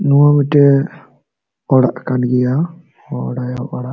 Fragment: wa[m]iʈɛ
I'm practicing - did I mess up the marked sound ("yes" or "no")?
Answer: no